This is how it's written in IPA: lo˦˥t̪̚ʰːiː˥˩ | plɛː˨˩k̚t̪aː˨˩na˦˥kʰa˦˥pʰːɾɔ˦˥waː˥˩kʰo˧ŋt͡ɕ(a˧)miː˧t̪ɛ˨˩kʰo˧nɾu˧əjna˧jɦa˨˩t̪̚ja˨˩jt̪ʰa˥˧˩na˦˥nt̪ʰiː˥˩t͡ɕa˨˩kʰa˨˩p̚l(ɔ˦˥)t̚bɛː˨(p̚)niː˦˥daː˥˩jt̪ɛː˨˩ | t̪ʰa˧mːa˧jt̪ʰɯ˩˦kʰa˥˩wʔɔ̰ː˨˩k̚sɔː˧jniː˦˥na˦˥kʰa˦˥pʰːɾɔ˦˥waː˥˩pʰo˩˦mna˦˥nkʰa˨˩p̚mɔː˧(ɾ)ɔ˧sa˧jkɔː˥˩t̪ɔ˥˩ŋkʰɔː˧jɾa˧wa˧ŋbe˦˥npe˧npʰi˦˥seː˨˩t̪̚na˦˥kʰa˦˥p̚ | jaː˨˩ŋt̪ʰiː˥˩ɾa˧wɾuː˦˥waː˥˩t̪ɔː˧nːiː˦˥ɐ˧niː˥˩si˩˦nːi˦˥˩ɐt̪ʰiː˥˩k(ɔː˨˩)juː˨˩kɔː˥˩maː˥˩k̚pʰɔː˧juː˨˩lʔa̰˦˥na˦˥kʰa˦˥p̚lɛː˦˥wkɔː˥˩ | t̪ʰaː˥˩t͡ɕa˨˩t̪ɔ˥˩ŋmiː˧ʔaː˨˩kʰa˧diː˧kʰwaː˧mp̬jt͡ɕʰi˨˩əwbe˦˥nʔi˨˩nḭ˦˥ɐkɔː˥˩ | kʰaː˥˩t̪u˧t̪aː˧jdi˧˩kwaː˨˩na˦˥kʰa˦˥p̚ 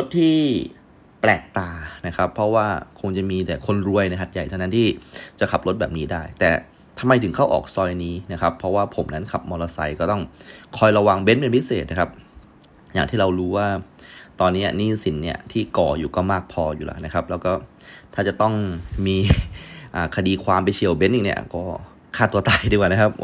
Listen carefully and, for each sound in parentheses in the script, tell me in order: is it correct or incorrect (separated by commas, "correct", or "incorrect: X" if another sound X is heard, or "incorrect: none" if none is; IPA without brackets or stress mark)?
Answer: incorrect: a˨˩, incorrect: o˦˥, correct, incorrect: l, correct